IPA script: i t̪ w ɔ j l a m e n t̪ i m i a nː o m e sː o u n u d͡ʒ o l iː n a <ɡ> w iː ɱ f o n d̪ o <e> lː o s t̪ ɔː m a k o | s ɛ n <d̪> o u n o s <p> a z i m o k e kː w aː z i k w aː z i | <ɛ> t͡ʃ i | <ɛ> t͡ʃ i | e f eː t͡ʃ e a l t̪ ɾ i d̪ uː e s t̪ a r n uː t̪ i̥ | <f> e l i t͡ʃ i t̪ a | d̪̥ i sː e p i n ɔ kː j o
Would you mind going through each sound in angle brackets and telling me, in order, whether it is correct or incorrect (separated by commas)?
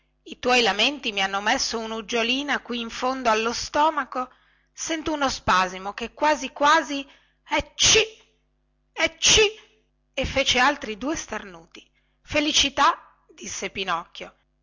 incorrect, incorrect, incorrect, correct, correct, correct, correct